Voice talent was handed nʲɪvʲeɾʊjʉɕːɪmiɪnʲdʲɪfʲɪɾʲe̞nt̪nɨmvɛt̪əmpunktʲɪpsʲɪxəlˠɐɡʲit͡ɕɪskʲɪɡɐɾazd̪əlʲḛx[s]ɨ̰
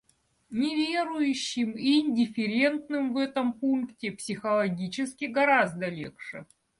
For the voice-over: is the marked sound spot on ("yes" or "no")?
no